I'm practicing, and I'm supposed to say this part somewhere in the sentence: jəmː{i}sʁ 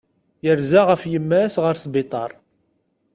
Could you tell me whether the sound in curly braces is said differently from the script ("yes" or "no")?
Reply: yes